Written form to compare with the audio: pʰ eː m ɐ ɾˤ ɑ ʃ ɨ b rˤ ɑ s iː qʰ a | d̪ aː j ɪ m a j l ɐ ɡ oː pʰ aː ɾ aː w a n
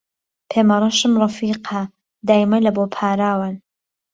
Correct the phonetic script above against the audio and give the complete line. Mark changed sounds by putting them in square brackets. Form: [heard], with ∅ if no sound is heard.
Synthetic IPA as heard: pʰ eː m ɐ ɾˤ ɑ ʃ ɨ [m] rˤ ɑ [f] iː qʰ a | d̪ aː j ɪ m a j l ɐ [b] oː pʰ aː ɾ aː w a n